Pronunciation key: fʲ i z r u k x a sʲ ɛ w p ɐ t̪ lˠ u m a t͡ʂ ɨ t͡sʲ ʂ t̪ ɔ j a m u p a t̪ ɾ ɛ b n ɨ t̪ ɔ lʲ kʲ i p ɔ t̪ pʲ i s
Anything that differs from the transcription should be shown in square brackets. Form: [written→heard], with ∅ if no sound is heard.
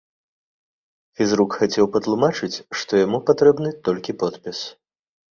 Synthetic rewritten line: fʲ i z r u k x a [sʲ→t͡sʲ] ɛ w p ɐ t̪ lˠ u m a t͡ʂ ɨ t͡sʲ ʂ t̪ ɔ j a m u p a t̪ ɾ ɛ b n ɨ t̪ ɔ lʲ kʲ i p ɔ t̪ pʲ i s